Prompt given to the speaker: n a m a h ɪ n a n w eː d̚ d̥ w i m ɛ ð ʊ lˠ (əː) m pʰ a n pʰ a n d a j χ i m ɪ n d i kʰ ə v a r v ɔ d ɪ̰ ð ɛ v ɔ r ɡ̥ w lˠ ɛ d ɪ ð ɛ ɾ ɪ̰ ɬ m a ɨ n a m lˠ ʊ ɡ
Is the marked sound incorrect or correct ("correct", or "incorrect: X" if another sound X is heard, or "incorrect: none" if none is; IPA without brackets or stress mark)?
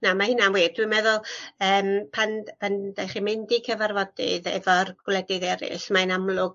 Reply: correct